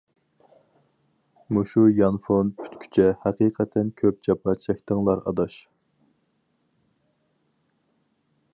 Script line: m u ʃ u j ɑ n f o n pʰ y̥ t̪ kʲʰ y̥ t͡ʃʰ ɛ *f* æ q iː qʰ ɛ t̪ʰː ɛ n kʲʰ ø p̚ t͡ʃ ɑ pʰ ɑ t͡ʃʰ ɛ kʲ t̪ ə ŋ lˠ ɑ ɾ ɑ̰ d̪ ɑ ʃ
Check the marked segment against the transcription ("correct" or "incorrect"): incorrect